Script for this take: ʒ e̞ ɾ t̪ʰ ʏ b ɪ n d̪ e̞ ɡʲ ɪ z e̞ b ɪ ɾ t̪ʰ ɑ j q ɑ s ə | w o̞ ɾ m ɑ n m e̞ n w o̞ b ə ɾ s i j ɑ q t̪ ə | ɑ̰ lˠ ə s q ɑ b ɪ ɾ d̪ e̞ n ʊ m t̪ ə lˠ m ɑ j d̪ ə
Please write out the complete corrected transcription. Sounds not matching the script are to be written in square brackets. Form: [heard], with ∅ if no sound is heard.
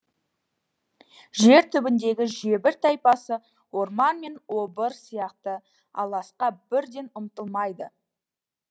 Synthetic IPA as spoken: ʒ e̞ ɾ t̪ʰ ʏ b ɪ n d̪ e̞ ɡʲ ɪ [ʒ] e̞ b ɪ ɾ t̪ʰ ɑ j [p] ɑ s ə | w o̞ ɾ m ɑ n m e̞ n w o̞ b ə ɾ s i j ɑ q t̪ ə | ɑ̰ lˠ [ɑ] s q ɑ b ɪ ɾ d̪ e̞ n ʊ m t̪ ə lˠ m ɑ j d̪ ə

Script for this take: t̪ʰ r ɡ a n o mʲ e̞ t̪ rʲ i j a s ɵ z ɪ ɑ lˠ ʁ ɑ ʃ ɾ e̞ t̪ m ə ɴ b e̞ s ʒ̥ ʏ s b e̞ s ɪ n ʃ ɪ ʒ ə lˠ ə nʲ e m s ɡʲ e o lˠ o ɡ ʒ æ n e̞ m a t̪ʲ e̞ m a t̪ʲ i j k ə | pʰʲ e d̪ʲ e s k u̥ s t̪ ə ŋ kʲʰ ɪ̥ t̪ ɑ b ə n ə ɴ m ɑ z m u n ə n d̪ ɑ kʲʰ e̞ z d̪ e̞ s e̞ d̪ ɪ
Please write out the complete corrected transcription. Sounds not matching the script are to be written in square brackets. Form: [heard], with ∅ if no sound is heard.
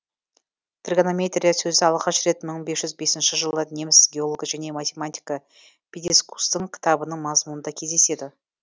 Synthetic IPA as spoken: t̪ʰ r ɡ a n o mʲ e̞ t̪ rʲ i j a s ɵ z ɪ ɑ lˠ ʁ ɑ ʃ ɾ e̞ t̪ m ə ɴ b e̞ s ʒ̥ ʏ [z] b e̞ s ɪ n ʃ ɪ ʒ ə lˠ ə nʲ e m s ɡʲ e o lˠ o ɡ ʒ æ n e̞ m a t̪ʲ e̞ m a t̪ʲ i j k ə | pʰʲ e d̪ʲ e s k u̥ s t̪ ə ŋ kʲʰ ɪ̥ t̪ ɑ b ə n ə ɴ m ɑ z m u n ə n d̪ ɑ kʲʰ e̞ z d̪ e̞ s e̞ d̪ ɪ

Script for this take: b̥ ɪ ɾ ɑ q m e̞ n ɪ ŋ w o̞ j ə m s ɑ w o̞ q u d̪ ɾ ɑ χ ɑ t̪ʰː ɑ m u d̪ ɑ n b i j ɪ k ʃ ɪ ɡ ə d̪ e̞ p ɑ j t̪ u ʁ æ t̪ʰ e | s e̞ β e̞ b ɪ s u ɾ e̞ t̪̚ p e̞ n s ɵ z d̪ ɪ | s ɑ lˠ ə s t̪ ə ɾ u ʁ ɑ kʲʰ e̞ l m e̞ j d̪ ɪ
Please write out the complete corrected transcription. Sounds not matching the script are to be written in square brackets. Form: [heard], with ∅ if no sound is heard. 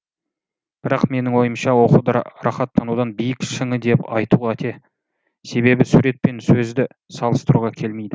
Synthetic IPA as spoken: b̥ ɪ ɾ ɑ q m e̞ n ɪ ŋ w o̞ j ə m [ʃ] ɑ w o̞ q u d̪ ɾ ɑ χ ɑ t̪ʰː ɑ [n] u d̪ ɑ n b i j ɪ k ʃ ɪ [ŋ] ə d̪ e̞ p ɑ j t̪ u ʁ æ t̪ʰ e | s e̞ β e̞ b ɪ s u ɾ e̞ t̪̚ p e̞ n s ɵ z d̪ ɪ | s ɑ lˠ ə s t̪ ə ɾ u ʁ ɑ kʲʰ e̞ l m e̞ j d̪ ɪ

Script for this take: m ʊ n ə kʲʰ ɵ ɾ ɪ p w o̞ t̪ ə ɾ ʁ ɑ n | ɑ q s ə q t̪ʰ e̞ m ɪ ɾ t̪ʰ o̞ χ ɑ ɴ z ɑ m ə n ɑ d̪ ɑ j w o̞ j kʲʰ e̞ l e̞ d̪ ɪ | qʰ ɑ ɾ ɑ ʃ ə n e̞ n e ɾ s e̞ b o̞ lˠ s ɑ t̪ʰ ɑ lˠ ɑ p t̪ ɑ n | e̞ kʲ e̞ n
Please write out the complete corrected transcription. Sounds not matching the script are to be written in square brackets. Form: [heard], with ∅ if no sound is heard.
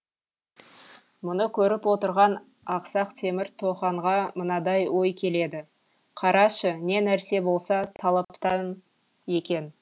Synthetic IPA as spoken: m ʊ n ə kʲʰ ɵ ɾ ɪ p w o̞ t̪ ə ɾ ʁ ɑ n | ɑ q s [ɑ] q t̪ʰ e̞ m ɪ ɾ t̪ʰ o̞ χ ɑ ɴ [ʁ] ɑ m ə n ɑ d̪ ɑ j w o̞ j kʲʰ e̞ l e̞ d̪ ɪ | qʰ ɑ ɾ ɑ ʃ ə n e̞ n [æ] ɾ s e̞ b o̞ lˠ s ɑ t̪ʰ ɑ lˠ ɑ p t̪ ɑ n | e̞ kʲ e̞ n

